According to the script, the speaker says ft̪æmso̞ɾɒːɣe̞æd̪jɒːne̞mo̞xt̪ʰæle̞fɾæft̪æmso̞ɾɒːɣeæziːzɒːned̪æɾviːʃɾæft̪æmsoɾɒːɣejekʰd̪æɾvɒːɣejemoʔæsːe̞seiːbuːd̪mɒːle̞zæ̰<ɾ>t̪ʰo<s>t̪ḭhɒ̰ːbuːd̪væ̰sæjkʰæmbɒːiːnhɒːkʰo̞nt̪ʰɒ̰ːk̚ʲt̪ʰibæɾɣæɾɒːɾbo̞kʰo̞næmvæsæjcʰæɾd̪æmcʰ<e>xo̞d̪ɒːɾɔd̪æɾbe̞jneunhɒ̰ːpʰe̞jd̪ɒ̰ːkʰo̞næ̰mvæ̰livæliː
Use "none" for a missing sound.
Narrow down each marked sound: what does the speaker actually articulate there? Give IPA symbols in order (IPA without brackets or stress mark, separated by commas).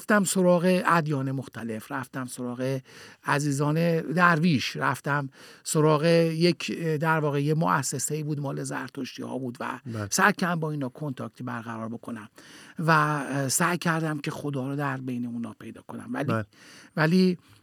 ɾ, ʃ, e